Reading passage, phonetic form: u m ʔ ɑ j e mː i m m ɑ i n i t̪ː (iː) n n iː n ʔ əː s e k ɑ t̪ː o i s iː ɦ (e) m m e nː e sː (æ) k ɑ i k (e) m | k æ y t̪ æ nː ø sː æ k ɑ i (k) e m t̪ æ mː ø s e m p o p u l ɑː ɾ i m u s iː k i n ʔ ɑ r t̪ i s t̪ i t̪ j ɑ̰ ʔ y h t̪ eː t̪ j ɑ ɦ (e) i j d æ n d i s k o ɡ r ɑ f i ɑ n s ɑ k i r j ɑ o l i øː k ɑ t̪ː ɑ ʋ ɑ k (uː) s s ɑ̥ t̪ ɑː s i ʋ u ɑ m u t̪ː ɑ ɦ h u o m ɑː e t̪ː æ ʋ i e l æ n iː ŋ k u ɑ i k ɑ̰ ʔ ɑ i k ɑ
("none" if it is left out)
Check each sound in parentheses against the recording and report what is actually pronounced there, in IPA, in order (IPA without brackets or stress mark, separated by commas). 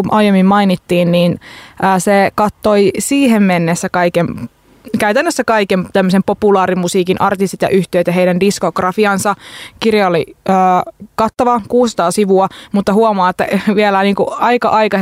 iː, e, æ, e, k, e, uː